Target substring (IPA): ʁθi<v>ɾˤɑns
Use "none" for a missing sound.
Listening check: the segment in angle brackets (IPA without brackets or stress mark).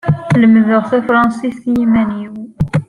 f